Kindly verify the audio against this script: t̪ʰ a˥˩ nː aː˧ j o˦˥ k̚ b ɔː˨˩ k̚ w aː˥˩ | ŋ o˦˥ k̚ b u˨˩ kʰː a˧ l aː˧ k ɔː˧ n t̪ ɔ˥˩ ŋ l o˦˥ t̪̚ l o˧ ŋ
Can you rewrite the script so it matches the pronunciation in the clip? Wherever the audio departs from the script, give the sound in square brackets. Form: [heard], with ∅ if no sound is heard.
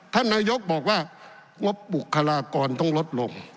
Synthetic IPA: t̪ʰ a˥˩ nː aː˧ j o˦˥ k̚ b ɔː˨˩ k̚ w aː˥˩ | ŋ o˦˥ [p̚] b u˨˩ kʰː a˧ l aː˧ k ɔː˧ n t̪ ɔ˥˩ ŋ l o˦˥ t̪̚ l o˧ ŋ